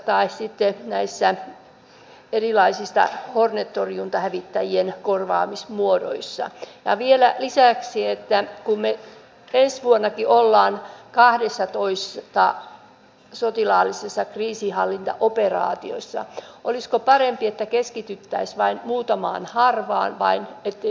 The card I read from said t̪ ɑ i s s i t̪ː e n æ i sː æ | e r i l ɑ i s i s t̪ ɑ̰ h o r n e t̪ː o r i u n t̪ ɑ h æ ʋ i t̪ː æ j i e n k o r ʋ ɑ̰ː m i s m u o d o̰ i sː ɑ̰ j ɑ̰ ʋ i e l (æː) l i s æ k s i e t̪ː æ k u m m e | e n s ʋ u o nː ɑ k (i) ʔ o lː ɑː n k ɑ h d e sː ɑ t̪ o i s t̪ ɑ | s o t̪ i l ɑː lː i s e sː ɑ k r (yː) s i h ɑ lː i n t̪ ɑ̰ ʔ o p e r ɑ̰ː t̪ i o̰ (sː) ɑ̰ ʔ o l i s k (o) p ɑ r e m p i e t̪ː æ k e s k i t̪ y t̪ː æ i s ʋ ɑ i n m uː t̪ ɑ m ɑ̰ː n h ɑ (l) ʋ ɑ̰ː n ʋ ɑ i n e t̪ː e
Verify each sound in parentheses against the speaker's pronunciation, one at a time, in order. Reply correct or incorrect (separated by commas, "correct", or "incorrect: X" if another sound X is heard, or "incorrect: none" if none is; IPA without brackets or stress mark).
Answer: incorrect: æ, correct, incorrect: iː, correct, correct, incorrect: r